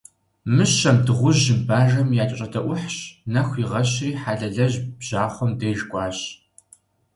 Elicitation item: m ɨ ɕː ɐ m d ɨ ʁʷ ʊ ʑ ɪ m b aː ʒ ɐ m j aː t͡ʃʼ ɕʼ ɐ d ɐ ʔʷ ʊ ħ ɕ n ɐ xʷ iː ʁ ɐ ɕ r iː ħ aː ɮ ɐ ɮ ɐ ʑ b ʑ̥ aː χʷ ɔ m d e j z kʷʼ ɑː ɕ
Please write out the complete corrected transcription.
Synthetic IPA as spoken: m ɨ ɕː ɐ m d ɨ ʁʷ ʊ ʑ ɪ m b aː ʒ ɐ m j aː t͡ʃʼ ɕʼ ɐ d ɐ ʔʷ ʊ ħ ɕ n ɐ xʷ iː ʁ ɐ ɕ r iː ħ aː ɮ ɐ ɮ ɐ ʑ b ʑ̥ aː χʷ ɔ m d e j ʒ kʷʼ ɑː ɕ